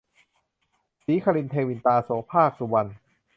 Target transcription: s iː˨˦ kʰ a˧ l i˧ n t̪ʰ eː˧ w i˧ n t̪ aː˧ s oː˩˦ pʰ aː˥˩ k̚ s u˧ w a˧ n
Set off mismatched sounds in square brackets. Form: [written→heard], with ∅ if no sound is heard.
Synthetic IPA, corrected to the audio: s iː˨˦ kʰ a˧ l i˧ n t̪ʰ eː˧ w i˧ n t̪ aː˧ s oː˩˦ pʰ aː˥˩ k̚ s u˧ w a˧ n